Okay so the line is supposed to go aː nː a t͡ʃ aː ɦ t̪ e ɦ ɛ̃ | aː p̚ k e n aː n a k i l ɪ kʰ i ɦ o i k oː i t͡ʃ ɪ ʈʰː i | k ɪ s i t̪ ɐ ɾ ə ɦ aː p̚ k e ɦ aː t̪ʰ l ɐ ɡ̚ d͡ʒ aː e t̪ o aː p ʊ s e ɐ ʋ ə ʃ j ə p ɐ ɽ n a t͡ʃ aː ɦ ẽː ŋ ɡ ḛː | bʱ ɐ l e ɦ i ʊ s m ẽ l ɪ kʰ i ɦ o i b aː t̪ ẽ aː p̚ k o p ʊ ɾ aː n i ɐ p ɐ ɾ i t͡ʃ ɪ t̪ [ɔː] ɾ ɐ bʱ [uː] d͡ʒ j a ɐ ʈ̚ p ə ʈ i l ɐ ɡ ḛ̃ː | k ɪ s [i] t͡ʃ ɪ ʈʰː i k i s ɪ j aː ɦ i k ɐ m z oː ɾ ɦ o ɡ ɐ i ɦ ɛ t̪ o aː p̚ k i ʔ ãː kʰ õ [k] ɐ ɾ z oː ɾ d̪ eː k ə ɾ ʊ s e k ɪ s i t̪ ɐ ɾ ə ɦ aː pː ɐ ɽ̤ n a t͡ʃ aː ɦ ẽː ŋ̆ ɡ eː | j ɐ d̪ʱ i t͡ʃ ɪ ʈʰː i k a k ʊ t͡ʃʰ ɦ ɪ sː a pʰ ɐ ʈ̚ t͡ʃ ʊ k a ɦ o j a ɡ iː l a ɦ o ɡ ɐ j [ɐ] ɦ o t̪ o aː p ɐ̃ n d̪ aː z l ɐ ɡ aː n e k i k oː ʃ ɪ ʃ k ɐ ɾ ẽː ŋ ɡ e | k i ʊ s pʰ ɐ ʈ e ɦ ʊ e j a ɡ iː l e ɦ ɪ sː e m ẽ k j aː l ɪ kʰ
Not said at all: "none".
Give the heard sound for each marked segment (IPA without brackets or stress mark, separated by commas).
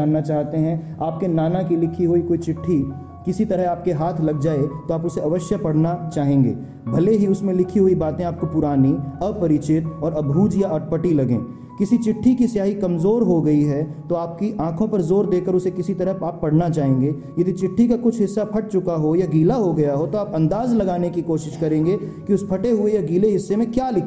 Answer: ɔː, uː, i, p, a